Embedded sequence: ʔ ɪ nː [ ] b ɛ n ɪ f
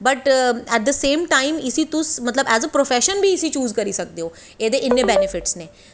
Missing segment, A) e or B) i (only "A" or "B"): A